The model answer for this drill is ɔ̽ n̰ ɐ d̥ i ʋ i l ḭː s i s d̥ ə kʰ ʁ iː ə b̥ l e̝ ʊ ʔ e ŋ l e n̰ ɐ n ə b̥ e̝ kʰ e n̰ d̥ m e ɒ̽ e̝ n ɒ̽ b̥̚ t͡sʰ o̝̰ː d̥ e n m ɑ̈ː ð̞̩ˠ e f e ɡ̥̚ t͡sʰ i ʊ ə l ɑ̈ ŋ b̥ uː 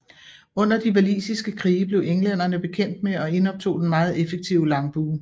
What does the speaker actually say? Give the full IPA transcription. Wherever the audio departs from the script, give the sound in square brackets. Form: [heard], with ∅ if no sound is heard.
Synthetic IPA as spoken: ɔ̽ n̰ ɐ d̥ i ʋ [æ] l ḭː s i s [ɡ̥] ə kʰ ʁ iː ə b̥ l e̝ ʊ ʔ e ŋ l e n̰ ɐ n ə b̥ e̝ kʰ e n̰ d̥ m e ɒ̽ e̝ n ɒ̽ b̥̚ t͡sʰ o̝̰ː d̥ e n m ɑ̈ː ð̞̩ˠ e f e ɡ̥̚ t͡sʰ i ʊ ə l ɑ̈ ŋ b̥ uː